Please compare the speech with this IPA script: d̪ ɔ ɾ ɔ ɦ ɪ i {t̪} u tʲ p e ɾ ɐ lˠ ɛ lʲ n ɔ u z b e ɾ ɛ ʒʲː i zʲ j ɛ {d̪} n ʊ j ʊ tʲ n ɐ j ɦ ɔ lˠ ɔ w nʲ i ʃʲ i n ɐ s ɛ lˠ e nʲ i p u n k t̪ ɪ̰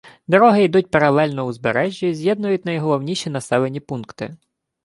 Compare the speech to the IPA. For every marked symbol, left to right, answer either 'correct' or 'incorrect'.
incorrect, correct

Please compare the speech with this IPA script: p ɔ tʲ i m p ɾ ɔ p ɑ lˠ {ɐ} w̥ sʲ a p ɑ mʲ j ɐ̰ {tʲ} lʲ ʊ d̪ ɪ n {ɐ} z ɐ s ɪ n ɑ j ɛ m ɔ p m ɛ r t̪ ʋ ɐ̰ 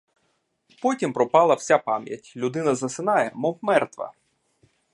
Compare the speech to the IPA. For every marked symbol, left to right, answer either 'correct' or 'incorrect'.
correct, correct, correct

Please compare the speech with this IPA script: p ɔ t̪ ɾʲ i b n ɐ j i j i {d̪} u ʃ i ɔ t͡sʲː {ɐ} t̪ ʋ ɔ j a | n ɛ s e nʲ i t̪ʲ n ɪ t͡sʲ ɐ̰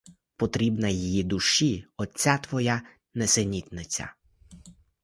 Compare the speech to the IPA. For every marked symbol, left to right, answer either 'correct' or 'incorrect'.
correct, incorrect

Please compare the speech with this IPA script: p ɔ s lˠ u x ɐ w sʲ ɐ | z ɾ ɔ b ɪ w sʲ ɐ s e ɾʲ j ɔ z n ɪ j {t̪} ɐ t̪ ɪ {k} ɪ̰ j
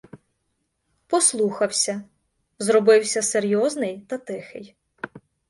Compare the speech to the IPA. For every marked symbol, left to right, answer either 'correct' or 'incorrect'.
correct, incorrect

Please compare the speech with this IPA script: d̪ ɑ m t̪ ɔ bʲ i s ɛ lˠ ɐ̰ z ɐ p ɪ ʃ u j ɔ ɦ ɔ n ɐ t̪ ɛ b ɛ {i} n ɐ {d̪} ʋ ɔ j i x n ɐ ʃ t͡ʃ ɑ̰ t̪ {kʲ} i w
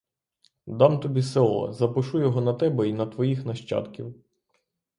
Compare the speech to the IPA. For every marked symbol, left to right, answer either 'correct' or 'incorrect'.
correct, incorrect, correct

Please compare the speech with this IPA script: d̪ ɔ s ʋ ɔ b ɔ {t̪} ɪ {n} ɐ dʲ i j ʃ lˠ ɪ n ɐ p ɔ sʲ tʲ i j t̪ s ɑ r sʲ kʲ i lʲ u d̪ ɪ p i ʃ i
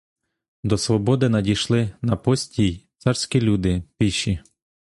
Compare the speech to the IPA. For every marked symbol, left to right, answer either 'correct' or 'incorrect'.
incorrect, correct

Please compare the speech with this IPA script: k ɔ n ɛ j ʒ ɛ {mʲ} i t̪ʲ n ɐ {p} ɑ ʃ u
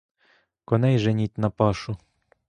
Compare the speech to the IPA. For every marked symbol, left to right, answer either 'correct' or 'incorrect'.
incorrect, correct

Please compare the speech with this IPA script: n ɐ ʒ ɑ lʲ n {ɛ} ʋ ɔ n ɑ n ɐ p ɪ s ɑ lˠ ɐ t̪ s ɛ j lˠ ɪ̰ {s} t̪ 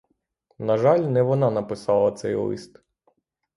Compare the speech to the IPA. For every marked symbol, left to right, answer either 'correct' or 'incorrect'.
correct, correct

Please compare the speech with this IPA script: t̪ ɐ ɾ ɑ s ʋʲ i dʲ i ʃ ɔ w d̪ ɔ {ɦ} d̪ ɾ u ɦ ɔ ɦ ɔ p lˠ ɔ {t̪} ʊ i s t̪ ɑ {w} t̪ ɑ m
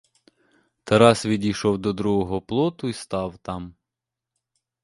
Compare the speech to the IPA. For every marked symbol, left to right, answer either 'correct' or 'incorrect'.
incorrect, correct, correct

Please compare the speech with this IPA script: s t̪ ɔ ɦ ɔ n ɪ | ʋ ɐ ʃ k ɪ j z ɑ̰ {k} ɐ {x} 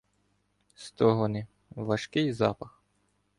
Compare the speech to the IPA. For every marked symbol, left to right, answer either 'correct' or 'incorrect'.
incorrect, correct

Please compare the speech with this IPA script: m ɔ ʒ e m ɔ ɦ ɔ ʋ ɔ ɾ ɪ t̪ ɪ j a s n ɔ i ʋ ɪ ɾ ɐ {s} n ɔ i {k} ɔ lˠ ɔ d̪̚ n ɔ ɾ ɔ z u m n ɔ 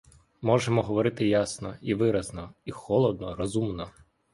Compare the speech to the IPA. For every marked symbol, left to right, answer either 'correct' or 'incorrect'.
incorrect, incorrect

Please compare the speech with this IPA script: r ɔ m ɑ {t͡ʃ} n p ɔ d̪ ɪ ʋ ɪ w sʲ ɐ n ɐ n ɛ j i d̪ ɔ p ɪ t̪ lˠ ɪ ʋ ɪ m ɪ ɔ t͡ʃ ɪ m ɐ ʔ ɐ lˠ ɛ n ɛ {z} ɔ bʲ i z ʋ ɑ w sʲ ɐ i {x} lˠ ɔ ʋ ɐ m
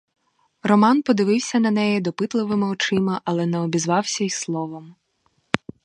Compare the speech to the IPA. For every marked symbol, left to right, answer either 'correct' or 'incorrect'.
incorrect, incorrect, incorrect

